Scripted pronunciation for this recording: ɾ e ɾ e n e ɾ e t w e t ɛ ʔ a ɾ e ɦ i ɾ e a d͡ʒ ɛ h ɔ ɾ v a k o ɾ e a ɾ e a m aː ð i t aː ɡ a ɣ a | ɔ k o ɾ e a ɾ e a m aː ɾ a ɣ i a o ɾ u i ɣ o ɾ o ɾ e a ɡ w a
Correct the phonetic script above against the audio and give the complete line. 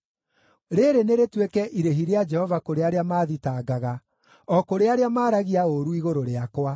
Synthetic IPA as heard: ɾ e ɾ e n e ɾ e t w e k ɛ ʔ i ɾ e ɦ i ɾ e a d͡ʒ ɛ h ɔ v a k o ɾ e a ɾ e a m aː ð i t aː ɡ a ɣ a | ɔ k o ɾ e a ɾ e a m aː ɾ a ɣ i a o ɾ u i ɣ o ɾ o ɾ e a k w a

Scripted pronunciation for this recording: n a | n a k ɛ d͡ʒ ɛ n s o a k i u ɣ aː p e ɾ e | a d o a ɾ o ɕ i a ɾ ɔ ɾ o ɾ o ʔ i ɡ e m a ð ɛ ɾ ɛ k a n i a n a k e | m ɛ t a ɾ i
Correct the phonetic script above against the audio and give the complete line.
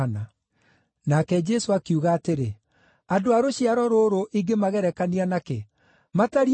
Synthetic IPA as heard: n a | n a k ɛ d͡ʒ ɛ s o a k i u ɣ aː t e ɾ e | a d o a ɾ o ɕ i a ɾ ɔ ɾ o ɾ o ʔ i ɡ e m a ɣ ɛ ɾ ɛ k a n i a n a k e | m a t a ɾ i

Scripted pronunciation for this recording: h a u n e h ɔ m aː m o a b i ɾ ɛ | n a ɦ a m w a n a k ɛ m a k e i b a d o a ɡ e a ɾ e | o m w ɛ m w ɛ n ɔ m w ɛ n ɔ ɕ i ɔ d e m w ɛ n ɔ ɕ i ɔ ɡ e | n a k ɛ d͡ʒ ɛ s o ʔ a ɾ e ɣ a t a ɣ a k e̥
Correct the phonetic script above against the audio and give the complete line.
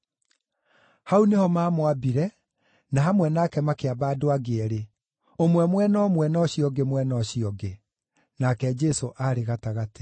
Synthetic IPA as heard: h a u n e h ɔ m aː m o a b i ɾ ɛ | n a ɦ a m w ɛ n a k ɛ m a k e a b a d o a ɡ e ɛ ɾ e | o m w ɛ m w ɛ n ɔ m w ɛ n ɔ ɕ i ɔ ɡ e m w ɛ n ɔ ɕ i ɔ ɡ e | n a k ɛ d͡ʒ ɛ s o ʔ a ɾ e ɣ a t a ɣ a t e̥

